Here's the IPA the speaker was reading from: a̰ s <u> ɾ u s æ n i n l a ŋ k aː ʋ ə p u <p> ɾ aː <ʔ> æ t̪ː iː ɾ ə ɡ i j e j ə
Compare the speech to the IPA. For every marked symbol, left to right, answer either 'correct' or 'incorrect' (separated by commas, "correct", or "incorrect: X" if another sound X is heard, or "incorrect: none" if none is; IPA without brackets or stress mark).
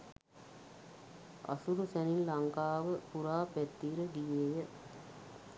correct, incorrect: none, incorrect: p